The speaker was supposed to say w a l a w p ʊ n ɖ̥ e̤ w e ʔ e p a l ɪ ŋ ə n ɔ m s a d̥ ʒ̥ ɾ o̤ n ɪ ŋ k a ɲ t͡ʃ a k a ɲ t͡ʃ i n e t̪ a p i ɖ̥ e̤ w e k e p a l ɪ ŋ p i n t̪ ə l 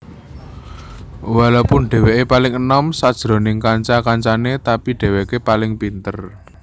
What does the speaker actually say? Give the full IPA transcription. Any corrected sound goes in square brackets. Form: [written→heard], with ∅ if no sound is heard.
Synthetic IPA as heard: w a l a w p ʊ n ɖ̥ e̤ w e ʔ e p a l ɪ ŋ ə n ɔ m s a d̥ ʒ̥ ɾ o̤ n ɪ ŋ k a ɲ t͡ʃ a k a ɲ t͡ʃ [i→a] n e t̪ a p i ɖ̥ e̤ w e k e p a l ɪ ŋ p i n t̪ ə [l→r]